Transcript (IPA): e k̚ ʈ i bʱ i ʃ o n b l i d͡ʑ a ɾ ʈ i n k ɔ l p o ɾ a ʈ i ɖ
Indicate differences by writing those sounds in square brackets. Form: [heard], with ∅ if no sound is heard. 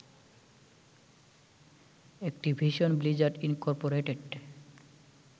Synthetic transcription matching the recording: e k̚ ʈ i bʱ i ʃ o n b l i d͡ʑ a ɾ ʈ i n k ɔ [ɾ] p o ɾ [e] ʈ [e] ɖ